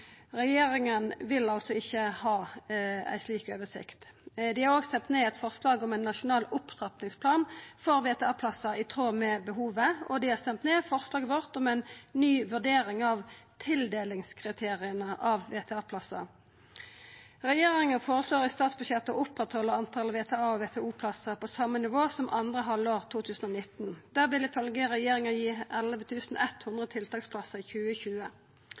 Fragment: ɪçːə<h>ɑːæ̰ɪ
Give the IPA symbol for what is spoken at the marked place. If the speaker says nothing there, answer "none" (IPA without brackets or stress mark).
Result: h